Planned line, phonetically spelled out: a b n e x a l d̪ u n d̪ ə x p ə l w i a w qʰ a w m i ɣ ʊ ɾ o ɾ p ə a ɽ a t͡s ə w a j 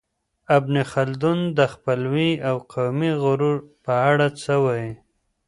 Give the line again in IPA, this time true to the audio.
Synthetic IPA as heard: a b n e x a l d̪ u n d̪ ə x p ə l w i a w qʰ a w m i ɣ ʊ ɾ u ɾ p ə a ɽ a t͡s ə w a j